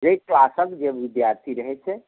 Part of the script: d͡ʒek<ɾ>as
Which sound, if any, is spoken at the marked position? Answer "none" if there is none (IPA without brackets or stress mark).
l